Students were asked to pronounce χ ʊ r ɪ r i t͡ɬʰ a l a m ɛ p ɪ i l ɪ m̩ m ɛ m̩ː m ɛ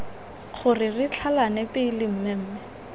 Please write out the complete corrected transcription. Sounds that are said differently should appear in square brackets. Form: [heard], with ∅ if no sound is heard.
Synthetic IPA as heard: χ ʊ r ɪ r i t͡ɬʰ a l a [n] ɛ p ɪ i l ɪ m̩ m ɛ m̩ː m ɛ